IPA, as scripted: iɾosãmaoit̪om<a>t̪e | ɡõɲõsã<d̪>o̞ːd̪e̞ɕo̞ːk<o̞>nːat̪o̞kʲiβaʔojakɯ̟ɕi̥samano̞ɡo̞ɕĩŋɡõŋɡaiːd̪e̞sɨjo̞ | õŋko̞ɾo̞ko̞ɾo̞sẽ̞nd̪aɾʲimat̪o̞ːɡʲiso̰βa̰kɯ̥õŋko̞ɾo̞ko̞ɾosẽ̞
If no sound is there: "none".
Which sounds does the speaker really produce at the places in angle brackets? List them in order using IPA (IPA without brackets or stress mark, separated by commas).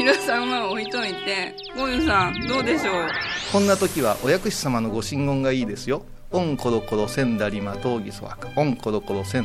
i, d̪, õ̞